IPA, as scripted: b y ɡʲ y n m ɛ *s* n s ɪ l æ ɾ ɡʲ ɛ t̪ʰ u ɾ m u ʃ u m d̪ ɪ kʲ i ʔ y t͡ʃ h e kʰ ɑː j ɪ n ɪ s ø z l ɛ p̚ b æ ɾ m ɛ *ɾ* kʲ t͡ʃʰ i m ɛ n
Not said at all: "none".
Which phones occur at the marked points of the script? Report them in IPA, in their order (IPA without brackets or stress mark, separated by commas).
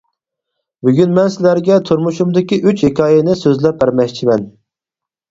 none, none